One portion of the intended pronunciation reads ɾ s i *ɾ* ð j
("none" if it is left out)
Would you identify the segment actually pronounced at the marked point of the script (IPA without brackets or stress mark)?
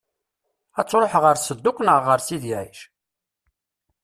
none